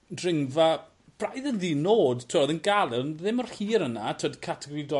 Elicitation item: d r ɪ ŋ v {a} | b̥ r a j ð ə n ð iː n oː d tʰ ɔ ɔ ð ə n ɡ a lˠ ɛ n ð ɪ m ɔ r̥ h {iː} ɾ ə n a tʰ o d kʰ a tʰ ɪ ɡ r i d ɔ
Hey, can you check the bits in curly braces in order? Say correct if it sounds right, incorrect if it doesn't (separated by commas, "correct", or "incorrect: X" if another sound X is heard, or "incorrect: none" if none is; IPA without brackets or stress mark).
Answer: correct, correct